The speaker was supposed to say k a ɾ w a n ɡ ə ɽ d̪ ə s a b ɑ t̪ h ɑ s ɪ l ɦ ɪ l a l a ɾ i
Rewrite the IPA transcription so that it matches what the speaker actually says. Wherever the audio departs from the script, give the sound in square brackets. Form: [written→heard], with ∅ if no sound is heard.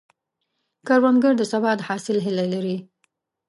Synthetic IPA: k a ɾ w a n ɡ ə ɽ d̪ ə s a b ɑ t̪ h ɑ s ɪ l ɦ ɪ l a l a ɾ i